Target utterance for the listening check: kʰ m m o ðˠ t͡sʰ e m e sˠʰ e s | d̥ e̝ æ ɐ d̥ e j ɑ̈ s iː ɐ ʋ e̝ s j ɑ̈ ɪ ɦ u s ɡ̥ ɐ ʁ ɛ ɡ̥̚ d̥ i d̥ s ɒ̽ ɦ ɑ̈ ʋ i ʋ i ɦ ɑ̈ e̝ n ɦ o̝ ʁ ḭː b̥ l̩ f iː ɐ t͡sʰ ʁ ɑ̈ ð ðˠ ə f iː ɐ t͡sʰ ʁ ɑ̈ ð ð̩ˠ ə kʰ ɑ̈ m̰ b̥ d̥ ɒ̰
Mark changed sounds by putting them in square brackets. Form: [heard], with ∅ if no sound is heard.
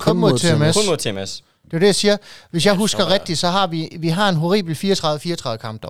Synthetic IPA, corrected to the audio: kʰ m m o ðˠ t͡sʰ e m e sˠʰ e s | d̥ e̝ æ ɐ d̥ e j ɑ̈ s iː ɐ ʋ e̝ s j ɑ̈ ɪ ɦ u s ɡ̥ ɐ ʁ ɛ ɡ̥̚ d̥ i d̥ s ɒ̽ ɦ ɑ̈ ʋ i ʋ i ɦ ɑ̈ e̝ n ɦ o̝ ʁ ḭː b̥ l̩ f iː ɐ t͡sʰ ʁ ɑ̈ ð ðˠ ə f iː ɐ t͡sʰ ʁ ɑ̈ ð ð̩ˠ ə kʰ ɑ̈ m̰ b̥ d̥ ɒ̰